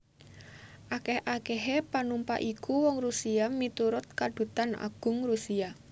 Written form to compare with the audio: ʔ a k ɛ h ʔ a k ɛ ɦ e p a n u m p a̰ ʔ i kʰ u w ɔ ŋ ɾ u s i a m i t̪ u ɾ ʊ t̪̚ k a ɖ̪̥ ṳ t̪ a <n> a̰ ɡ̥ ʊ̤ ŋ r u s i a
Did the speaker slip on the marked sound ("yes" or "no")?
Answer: no